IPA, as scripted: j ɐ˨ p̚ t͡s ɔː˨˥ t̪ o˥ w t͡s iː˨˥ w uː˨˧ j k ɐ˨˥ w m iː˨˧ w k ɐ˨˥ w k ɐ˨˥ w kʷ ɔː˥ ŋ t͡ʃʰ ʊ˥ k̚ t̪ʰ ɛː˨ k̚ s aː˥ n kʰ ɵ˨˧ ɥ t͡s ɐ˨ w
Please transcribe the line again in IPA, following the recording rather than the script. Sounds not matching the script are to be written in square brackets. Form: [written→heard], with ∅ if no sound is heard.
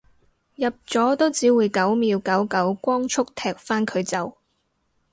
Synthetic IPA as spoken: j ɐ˨ p̚ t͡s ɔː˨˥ t̪ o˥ w t͡s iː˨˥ w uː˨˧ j k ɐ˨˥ w m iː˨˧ w k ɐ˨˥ w k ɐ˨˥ w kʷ ɔː˥ ŋ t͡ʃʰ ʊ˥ k̚ t̪ʰ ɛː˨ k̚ [s→f] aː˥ n kʰ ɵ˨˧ ɥ t͡s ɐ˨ w